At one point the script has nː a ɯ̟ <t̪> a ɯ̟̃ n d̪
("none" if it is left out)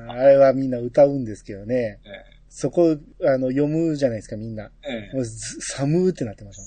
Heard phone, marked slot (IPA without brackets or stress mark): t̪